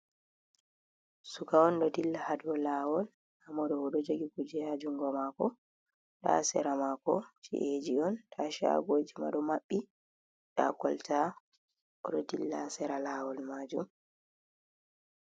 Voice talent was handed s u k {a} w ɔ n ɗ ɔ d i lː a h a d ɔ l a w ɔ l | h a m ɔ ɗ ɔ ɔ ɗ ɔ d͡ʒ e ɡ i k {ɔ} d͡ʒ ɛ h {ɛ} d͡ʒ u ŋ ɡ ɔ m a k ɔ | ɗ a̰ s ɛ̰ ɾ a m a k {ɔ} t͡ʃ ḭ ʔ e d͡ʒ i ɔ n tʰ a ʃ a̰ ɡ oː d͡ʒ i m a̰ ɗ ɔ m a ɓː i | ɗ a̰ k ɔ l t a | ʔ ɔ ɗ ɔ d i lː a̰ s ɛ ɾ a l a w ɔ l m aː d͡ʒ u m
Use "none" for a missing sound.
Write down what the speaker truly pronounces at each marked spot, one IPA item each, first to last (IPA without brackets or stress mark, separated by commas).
a, u, a, ɔ